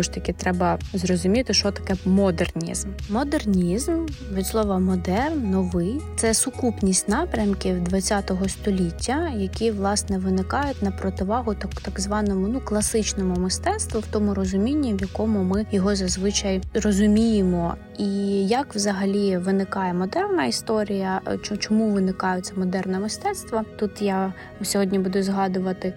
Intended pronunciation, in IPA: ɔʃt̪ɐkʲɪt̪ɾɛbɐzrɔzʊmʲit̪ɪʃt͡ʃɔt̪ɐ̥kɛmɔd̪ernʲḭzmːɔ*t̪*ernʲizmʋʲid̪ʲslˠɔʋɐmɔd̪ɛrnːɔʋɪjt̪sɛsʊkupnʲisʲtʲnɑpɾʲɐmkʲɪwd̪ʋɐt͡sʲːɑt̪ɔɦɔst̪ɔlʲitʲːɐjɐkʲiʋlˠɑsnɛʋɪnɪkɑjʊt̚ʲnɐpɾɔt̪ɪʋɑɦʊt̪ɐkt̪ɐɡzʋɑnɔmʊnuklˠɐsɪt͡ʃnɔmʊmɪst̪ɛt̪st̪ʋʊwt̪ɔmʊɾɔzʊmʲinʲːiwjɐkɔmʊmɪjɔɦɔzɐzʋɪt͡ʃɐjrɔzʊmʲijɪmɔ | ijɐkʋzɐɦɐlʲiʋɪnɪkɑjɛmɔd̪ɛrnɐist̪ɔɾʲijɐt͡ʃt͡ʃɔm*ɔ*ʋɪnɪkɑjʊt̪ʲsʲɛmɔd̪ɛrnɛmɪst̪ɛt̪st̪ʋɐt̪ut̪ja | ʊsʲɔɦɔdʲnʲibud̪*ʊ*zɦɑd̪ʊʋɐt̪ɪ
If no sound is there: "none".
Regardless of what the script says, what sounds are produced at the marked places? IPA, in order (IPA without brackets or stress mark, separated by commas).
d̪, u, ʊ